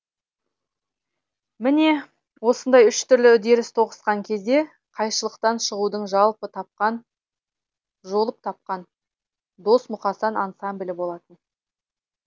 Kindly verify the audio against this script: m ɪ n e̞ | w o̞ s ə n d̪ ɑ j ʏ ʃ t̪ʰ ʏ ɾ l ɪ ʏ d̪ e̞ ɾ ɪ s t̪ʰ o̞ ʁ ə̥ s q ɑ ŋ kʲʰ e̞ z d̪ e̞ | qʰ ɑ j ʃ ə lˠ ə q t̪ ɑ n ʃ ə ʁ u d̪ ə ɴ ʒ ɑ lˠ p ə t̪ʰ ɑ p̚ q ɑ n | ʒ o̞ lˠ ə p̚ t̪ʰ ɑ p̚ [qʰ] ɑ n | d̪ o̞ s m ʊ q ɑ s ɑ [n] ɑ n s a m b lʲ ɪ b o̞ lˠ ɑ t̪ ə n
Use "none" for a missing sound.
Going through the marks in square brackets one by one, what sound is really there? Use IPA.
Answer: q, n

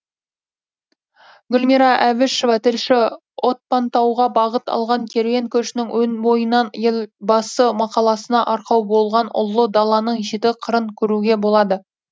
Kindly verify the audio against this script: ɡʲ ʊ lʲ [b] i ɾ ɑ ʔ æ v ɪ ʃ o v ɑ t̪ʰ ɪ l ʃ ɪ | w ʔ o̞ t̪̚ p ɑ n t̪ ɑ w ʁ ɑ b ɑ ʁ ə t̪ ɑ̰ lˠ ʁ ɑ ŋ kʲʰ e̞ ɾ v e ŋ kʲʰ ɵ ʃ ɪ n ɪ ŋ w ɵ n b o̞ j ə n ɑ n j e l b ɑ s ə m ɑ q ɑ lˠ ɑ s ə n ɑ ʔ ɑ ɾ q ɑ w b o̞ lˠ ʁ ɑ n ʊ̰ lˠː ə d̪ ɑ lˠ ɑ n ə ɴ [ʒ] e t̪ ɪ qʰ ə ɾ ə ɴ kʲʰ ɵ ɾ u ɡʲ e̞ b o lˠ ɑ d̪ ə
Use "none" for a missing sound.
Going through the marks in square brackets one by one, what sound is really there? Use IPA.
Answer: m, ʒ

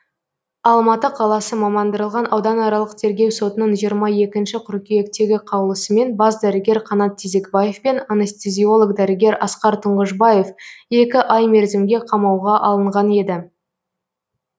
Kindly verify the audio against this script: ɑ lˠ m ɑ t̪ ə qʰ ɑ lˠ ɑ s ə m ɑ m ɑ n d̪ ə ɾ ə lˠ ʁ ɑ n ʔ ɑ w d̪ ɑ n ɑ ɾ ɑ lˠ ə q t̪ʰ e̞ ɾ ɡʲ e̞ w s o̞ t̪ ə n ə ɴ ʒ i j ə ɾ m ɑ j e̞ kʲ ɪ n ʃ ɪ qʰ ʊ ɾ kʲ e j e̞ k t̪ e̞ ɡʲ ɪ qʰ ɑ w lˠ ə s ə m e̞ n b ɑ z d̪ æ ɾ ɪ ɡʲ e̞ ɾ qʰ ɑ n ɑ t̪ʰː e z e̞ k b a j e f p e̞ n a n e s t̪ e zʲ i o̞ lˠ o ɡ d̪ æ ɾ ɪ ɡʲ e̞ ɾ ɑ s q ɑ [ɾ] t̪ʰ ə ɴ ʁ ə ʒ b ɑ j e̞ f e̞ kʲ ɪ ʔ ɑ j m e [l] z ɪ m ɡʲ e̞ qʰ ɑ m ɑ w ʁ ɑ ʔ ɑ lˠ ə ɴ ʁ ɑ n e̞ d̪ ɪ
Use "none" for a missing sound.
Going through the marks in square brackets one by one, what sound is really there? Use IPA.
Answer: ɾ, ɾ

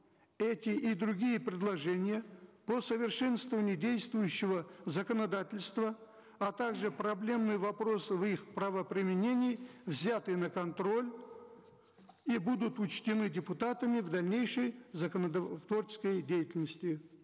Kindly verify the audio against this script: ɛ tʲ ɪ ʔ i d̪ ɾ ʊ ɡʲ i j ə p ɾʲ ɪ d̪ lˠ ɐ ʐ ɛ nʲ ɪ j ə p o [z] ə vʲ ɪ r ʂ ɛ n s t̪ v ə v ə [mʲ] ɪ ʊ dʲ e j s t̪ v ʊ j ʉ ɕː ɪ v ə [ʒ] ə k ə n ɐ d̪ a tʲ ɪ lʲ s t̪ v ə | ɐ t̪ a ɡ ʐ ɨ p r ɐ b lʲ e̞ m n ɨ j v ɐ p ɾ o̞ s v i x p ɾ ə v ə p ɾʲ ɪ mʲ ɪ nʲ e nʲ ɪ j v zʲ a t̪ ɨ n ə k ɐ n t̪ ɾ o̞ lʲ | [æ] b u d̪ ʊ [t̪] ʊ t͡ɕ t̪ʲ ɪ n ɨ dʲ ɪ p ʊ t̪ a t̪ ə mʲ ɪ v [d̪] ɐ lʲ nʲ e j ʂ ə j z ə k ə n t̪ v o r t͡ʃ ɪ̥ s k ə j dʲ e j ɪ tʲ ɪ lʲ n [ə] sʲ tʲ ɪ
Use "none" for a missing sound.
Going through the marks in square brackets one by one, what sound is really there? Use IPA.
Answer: s, nʲ, z, i, t̪, d̪, ə

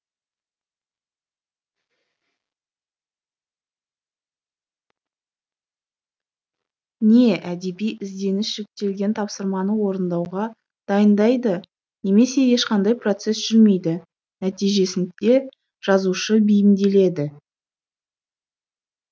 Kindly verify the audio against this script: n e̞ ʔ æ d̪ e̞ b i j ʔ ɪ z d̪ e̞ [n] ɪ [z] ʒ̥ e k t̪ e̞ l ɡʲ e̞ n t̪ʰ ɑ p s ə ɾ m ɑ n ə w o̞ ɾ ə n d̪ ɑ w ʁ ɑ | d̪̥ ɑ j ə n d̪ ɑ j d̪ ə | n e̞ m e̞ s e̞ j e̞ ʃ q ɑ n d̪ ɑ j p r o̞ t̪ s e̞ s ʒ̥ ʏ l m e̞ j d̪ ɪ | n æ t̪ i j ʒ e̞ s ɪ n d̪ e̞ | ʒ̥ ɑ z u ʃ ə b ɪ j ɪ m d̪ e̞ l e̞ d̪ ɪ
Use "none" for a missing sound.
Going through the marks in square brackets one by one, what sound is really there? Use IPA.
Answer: n, s

